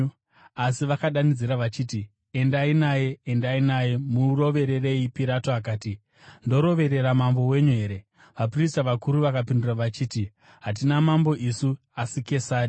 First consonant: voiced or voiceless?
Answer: voiceless